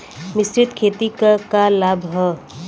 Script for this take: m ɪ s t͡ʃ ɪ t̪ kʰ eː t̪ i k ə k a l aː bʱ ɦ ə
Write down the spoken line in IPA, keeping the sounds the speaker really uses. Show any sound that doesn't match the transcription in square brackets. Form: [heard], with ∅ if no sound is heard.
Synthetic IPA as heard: m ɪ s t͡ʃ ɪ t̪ kʰ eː t̪ i k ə k a l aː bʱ ɦ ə